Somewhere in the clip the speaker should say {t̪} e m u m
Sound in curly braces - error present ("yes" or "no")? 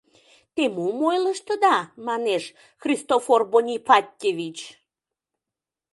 no